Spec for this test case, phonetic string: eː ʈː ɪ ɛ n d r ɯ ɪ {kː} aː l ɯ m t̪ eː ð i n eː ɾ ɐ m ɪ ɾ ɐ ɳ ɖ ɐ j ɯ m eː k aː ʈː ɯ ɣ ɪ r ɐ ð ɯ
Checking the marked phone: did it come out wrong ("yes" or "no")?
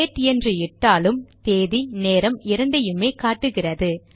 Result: yes